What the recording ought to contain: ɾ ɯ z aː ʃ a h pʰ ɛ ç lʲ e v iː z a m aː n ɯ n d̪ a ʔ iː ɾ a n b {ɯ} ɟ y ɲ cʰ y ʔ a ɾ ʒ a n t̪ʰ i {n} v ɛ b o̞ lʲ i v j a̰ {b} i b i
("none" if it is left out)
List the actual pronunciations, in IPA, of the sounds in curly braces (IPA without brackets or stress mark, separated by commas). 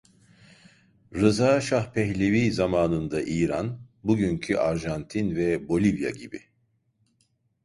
u, n, ɟ